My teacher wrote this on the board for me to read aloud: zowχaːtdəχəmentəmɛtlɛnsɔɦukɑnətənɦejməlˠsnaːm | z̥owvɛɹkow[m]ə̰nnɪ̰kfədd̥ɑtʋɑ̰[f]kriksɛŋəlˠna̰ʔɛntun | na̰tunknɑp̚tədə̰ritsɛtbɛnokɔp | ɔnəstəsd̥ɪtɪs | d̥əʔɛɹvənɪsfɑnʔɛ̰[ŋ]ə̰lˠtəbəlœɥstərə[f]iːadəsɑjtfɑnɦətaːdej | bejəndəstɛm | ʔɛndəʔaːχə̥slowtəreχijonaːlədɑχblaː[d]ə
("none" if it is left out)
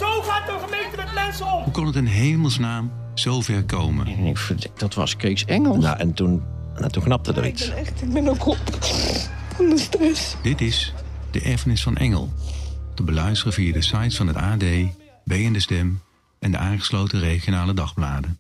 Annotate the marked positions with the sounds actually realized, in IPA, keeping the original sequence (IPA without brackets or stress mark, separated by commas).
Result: m, s, ŋ, v, d